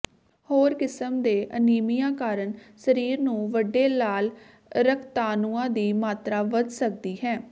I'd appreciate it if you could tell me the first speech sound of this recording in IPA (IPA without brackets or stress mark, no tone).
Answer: h